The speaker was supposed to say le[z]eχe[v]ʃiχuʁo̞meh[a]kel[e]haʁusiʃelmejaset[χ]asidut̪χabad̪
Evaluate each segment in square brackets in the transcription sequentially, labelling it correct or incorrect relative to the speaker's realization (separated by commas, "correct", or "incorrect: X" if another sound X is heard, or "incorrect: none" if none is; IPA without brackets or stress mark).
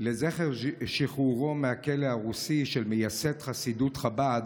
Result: correct, incorrect: ʁ, correct, correct, correct